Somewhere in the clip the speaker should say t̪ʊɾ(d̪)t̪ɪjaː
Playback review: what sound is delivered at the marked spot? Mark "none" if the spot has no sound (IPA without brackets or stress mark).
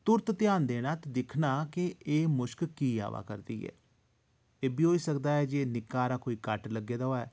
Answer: t̪